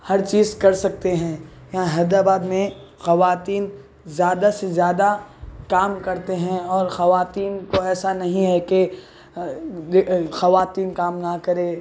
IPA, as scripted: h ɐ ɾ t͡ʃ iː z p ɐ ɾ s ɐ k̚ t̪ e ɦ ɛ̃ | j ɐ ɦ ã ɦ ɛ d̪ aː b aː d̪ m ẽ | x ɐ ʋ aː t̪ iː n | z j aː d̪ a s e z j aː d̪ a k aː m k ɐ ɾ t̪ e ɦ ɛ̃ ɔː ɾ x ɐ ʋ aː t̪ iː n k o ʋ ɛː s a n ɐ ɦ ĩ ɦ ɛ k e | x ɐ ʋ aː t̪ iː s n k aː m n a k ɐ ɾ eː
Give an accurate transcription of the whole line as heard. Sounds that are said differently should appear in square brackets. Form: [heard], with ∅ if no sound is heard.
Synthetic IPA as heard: h ɐ ɾ t͡ʃ iː z [k] ɐ ɾ s ɐ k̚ t̪ e ɦ ɛ̃ | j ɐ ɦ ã ɦ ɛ d̪ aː b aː d̪ m ẽ | x ɐ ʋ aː t̪ iː n | z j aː d̪ a s e z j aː d̪ a k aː m k ɐ ɾ t̪ e ɦ ɛ̃ ɔː ɾ x ɐ ʋ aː t̪ iː n k o [∅] ɛː s a n ɐ ɦ ĩ ɦ ɛ k e | x ɐ ʋ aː t̪ iː [∅] n k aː m n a k ɐ ɾ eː